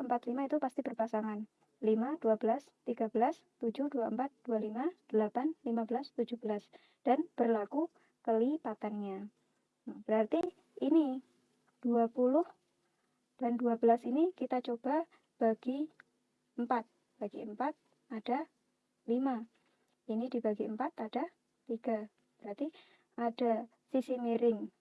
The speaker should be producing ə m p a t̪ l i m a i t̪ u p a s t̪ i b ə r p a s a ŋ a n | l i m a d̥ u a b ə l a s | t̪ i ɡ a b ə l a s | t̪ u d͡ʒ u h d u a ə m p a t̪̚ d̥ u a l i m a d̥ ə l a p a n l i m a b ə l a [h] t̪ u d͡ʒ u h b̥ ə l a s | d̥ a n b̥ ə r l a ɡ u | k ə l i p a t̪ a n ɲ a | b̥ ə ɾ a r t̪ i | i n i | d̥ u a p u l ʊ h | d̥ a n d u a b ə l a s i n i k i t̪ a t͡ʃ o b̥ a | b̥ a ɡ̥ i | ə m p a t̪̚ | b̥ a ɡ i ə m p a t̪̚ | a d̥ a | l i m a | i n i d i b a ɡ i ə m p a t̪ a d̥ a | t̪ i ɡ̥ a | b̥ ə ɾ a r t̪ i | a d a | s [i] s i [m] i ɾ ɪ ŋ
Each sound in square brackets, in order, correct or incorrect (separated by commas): incorrect, correct, correct